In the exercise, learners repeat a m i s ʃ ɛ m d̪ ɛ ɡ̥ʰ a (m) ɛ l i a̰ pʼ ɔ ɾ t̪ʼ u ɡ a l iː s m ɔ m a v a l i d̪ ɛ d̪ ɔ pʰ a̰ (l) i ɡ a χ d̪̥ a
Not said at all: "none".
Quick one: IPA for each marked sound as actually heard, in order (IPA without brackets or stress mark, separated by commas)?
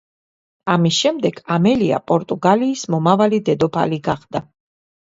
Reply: m, l